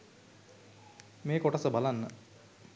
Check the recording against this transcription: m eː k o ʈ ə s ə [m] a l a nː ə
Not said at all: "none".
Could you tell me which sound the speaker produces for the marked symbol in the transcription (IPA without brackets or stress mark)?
b